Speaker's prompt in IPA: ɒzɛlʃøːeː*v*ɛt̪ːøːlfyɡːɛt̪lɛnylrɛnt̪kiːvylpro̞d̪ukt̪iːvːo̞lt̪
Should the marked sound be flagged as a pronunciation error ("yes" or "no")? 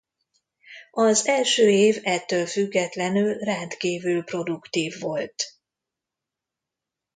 no